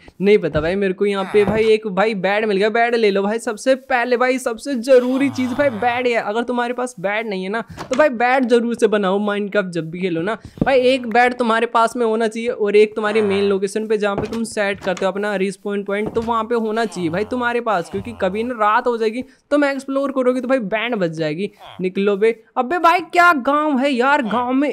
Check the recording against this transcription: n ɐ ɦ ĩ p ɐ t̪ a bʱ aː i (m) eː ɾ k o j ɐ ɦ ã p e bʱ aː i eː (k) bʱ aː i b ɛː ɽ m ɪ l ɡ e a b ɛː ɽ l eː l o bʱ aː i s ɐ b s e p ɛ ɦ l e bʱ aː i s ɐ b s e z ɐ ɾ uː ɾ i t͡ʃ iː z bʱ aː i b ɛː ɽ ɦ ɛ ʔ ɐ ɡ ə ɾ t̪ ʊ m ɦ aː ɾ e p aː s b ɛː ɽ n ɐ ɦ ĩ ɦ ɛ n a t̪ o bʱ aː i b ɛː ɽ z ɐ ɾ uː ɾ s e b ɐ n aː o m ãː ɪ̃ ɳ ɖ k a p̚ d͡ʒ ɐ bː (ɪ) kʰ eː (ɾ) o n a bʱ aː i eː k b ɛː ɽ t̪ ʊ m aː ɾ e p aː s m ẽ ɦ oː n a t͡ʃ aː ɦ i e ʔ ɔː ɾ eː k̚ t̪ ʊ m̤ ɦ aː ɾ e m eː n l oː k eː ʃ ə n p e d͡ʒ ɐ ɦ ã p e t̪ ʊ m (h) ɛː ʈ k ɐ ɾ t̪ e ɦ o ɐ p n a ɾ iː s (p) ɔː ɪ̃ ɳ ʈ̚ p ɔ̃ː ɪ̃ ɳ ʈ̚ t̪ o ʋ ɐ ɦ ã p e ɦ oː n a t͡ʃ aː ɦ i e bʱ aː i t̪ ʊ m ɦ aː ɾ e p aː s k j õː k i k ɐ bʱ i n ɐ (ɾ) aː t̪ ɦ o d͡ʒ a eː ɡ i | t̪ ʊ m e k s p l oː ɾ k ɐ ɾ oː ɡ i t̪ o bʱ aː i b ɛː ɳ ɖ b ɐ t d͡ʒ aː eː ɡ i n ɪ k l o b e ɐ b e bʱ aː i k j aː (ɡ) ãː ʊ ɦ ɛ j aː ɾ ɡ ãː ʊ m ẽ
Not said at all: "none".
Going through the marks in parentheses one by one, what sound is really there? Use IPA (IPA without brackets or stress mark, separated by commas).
m, k, i, l, s, p, ɾ, ɡ